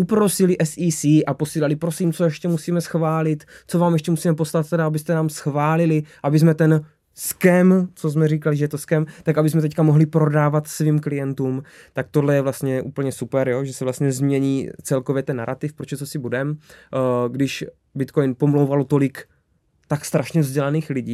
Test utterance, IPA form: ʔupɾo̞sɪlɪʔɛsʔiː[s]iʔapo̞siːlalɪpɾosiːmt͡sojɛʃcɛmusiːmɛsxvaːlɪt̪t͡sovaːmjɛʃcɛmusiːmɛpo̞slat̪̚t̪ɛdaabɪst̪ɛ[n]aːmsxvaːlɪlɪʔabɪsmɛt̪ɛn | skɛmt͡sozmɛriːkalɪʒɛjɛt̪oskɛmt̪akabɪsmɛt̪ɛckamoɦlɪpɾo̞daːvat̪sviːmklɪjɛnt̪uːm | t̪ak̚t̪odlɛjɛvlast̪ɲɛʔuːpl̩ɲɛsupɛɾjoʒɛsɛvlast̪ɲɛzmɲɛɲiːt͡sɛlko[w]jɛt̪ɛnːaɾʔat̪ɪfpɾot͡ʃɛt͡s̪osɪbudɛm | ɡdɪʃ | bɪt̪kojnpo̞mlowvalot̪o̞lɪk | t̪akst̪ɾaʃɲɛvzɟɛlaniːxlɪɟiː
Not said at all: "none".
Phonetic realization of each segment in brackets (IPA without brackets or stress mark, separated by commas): s, n, v